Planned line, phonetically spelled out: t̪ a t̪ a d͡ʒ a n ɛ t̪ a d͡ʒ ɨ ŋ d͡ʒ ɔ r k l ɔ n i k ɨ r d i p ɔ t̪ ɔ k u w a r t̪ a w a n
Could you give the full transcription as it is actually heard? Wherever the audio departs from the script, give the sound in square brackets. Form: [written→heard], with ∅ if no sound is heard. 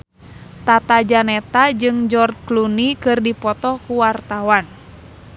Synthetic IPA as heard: t̪ a t̪ a d͡ʒ a n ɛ t̪ a d͡ʒ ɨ ŋ d͡ʒ ɔ r k l [ɔ→u] n i k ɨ r d i p ɔ t̪ ɔ k u w a r t̪ a w a n